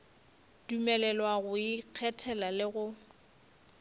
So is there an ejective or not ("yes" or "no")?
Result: no